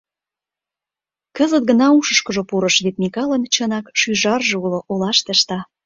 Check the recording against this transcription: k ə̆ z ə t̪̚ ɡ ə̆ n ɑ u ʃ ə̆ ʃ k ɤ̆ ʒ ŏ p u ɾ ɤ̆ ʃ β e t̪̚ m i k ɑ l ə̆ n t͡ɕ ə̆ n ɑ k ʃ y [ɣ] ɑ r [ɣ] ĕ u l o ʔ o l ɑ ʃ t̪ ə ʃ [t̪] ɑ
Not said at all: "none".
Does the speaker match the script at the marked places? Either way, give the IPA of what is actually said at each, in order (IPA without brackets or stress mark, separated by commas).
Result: ʒ, ʒ, t̪